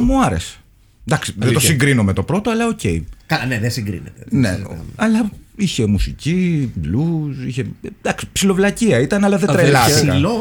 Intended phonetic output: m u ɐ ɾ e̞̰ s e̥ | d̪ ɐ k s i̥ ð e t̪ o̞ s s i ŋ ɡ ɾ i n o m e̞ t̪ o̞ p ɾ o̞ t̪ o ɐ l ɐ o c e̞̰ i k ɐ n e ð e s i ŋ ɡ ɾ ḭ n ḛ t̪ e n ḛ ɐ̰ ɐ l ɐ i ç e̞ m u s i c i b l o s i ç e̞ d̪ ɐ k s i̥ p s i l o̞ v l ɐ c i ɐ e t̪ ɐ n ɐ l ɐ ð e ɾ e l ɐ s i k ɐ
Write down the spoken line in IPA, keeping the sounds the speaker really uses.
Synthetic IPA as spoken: m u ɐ ɾ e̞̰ s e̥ | d̪ ɐ k s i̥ ð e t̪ o̞ s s i ŋ ɡ ɾ i n o m e̞ t̪ o̞ p ɾ o̞ t̪ o ɐ l ɐ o c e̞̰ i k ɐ n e ð e s i ŋ ɡ ɾ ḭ n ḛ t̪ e n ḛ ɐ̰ ɐ l ɐ i ç e̞ m u s i c i b l u s i ç e̞ d̪ ɐ k s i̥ p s i l o̞ v l ɐ c i ɐ i t̪ ɐ n ɐ l ɐ ð e ɾ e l ɐ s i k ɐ